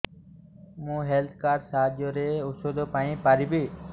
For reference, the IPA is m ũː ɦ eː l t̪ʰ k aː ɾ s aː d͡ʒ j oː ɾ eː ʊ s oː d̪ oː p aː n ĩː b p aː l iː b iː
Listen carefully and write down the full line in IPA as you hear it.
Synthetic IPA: m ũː ɦ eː l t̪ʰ k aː ɾ s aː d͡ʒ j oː ɾ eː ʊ s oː d̪ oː p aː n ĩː p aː ɾ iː b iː